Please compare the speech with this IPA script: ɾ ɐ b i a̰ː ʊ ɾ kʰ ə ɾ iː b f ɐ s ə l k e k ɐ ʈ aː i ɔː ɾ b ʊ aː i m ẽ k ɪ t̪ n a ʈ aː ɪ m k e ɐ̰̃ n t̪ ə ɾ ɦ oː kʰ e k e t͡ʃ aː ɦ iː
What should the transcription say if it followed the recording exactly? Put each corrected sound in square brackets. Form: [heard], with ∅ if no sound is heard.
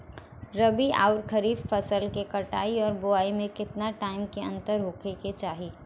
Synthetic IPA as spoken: ɾ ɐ b i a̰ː ʊ ɾ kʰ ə ɾ iː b f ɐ s ə l k e k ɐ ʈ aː i ɔː ɾ b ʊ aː i m ẽ k ɪ t̪ n a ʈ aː ɪ m k e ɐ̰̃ n t̪ ə ɾ ɦ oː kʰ e k e t͡ʃ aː ɦ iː